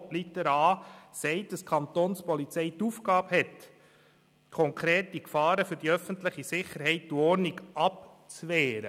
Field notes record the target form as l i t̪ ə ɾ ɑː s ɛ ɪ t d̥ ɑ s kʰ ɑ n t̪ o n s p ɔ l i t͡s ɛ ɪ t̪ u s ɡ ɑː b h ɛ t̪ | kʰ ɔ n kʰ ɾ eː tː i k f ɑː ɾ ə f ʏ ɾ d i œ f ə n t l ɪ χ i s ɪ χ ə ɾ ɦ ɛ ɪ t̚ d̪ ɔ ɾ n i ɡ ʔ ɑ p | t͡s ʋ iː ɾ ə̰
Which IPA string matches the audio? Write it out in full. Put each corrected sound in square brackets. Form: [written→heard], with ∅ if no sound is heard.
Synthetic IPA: l i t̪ ə ɾ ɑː s ɛ ɪ t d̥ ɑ s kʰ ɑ n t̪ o n s p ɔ l i t͡s ɛ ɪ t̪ u [s→f] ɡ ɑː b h ɛ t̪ | kʰ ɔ [n→ŋ] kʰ ɾ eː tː i k f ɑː ɾ ə f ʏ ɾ d i œ f ə n t l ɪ χ i s ɪ χ ə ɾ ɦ ɛ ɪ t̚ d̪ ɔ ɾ n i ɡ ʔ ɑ p | t͡s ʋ [iː→ɛː] ɾ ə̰